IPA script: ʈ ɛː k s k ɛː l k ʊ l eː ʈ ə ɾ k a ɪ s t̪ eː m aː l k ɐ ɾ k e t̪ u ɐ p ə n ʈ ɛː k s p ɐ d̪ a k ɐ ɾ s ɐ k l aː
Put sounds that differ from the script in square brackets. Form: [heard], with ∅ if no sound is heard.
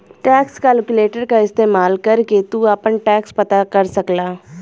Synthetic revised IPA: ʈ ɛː k s k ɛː l k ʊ l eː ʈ ə ɾ k a ɪ s t̪ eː m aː l k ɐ ɾ k e t̪ u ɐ p ə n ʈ ɛː k s p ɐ [t̪] a k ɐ ɾ s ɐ k l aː